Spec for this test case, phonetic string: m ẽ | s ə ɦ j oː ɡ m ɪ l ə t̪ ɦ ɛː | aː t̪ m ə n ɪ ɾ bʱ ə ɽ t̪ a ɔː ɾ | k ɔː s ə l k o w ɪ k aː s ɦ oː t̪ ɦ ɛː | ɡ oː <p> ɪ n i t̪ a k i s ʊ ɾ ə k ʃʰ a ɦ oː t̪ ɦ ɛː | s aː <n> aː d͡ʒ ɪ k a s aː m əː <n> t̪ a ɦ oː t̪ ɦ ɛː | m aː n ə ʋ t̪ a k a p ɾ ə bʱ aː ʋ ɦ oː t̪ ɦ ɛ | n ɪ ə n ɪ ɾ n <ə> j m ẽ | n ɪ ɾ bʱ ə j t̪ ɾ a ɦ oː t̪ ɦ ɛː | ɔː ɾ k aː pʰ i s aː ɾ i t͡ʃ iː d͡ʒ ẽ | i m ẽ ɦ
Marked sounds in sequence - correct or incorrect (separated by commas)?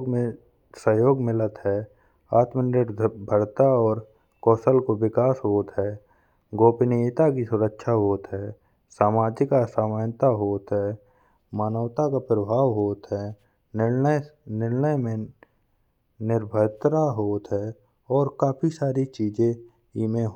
correct, incorrect, correct, correct